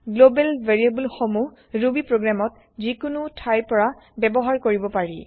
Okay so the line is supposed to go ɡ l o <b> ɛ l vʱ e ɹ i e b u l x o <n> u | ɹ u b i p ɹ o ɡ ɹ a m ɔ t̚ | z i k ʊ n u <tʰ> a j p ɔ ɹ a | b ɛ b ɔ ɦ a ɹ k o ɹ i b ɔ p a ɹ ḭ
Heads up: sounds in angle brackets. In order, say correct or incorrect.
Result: correct, incorrect: m, correct

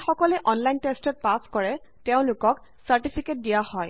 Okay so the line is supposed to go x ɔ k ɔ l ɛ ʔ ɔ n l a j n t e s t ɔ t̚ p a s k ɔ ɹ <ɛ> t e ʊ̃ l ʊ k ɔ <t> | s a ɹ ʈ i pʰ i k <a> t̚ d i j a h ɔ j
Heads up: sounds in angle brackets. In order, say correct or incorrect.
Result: correct, incorrect: k, incorrect: e

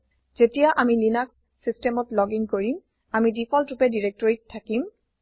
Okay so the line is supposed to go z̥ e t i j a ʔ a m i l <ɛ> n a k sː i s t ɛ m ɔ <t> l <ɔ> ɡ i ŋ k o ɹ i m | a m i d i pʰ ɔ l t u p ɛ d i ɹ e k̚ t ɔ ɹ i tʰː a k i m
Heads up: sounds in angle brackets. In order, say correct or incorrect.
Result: incorrect: i, correct, correct

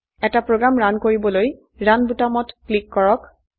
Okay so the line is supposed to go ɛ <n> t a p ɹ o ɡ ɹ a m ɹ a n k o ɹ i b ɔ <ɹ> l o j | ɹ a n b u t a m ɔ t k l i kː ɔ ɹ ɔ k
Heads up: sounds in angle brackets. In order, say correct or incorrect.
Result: incorrect: none, incorrect: none

